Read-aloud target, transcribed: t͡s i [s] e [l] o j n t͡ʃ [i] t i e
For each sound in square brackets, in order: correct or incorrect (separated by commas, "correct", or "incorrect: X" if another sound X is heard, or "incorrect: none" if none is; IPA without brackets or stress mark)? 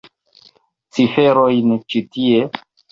incorrect: f, incorrect: ɾ, correct